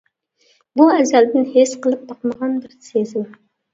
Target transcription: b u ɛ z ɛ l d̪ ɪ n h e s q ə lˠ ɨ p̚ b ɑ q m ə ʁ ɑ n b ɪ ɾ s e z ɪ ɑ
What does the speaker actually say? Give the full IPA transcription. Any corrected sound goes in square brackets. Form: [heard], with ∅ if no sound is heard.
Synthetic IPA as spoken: b u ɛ z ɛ l d̪ ɪ n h e s q ə lˠ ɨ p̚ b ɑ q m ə ʁ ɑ n b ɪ ɾ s e z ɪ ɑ

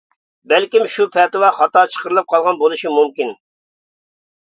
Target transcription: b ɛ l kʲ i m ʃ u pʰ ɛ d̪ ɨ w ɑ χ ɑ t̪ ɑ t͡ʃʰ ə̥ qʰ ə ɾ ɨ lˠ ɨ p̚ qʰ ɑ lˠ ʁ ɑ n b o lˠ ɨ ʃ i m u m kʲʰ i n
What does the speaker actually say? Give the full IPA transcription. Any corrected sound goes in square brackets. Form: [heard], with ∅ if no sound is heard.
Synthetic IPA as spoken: b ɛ l kʲ i m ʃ u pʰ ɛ [t̪] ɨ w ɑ χ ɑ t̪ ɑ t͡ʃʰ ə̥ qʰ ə ɾ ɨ lˠ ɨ p̚ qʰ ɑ lˠ ʁ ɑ n b o lˠ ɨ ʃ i m u m [kʲ] i n

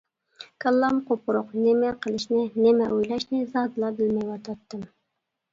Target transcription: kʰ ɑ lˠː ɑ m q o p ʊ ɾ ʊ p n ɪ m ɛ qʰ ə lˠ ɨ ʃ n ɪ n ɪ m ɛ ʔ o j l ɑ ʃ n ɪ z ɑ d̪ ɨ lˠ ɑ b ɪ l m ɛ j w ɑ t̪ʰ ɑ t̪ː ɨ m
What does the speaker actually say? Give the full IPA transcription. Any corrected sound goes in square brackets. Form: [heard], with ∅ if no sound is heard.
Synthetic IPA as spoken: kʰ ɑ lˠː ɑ m q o p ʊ ɾ ʊ [q] n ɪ m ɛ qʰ ə lˠ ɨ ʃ n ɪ n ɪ m ɛ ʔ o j l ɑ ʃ n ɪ z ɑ d̪ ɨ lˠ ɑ b ɪ l m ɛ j w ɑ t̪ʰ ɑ t̪ː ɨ m

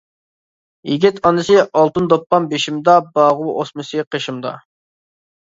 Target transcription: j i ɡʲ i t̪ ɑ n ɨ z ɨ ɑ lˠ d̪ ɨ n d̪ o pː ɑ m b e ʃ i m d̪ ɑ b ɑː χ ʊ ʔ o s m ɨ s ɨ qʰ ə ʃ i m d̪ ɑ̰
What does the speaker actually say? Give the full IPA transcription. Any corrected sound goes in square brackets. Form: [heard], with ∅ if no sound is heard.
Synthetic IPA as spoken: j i ɡʲ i t̪ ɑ n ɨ [s] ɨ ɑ lˠ [t̪] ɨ n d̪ o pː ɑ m b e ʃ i m d̪ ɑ b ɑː [ʁ] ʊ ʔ o s m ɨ s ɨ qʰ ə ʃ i m d̪ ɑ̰

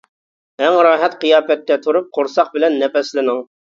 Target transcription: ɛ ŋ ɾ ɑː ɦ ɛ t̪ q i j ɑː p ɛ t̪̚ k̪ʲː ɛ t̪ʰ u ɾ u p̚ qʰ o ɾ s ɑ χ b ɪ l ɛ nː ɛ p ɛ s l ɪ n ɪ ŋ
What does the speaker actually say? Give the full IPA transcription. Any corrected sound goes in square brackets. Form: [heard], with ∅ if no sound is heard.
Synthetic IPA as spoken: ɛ ŋ ɾ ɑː ɦ ɛ t̪ q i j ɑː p ɛ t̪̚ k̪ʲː ɛ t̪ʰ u ɾ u p̚ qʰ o ɾ s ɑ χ b ɪ l ɛ nː ɛ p ɛ s l ɪ n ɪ ŋ

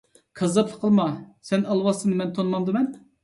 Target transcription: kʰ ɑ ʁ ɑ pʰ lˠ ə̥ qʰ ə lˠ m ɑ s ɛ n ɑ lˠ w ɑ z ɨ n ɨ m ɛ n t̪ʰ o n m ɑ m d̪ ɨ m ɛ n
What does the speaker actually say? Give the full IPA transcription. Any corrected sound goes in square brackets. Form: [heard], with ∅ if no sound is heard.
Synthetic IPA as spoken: kʰ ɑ [z] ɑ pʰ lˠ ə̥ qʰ ə lˠ m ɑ s ɛ n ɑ lˠ w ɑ [s] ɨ n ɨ m ɛ n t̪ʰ o n m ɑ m d̪ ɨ m ɛ n

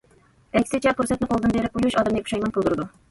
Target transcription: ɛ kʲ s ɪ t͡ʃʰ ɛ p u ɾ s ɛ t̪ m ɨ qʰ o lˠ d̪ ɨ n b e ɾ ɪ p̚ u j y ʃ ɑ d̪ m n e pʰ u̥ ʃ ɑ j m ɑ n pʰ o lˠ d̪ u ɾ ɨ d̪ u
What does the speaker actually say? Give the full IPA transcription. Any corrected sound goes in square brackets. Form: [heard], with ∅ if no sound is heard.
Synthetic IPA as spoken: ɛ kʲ s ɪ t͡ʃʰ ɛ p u ɾ s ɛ t̪ [n] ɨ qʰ o lˠ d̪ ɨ n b e ɾ ɪ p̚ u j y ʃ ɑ d̪ m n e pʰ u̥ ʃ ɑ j m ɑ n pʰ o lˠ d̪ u ɾ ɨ d̪ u

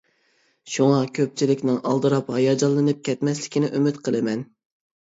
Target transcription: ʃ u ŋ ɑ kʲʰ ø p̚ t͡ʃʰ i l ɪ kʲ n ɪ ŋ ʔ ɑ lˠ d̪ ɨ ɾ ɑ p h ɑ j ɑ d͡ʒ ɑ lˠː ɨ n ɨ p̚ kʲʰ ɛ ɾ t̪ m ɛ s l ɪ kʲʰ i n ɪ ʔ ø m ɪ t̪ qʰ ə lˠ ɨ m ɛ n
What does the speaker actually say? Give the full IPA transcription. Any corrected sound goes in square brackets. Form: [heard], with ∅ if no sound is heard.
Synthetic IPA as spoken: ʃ u ŋ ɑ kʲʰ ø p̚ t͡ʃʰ i l ɪ kʲ n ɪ ŋ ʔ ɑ lˠ d̪ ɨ ɾ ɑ p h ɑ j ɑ d͡ʒ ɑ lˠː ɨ n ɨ p̚ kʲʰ ɛ [∅] t̪ m ɛ s l ɪ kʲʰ i n ɪ ʔ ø m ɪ t̪ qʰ ə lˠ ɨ m ɛ n

